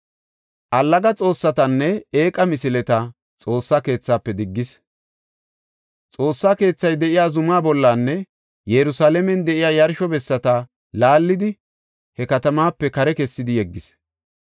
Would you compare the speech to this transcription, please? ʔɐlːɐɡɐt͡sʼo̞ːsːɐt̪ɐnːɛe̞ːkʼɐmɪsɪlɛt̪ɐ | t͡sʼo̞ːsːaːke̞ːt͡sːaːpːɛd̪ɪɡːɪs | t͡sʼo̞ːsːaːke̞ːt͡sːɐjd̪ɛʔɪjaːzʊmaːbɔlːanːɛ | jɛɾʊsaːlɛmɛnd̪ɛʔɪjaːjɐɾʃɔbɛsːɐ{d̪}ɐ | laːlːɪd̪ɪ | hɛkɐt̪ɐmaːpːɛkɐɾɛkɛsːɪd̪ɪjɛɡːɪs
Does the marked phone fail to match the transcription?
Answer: yes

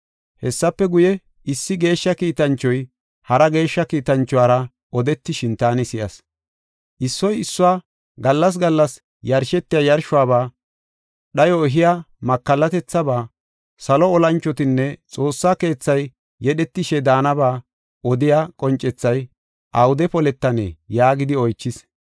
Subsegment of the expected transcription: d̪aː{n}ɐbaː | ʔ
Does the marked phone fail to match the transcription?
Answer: no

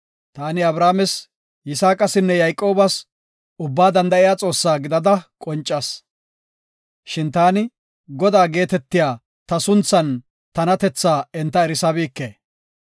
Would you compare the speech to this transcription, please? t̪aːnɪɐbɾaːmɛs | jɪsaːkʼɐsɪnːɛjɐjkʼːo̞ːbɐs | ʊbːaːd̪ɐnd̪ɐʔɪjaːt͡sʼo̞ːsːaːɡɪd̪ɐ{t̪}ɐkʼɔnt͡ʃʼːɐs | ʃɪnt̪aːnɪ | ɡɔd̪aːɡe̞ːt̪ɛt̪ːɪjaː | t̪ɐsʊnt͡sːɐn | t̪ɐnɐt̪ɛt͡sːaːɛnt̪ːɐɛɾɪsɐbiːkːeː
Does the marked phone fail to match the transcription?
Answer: yes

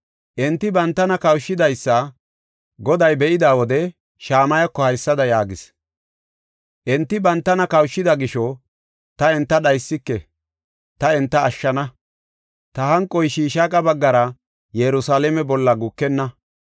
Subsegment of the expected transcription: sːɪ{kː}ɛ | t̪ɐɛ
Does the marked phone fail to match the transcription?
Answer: no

